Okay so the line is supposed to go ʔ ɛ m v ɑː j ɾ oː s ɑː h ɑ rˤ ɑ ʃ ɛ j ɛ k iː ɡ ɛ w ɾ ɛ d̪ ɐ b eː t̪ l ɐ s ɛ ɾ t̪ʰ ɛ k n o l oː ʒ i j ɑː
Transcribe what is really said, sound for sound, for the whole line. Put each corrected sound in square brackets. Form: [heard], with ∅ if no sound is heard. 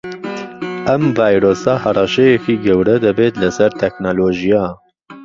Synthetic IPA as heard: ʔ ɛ m v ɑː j ɾ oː s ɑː h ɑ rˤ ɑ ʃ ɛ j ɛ k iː ɡ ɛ w ɾ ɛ d̪ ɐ b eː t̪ l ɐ s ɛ ɾ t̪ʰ ɛ k n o l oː ʒ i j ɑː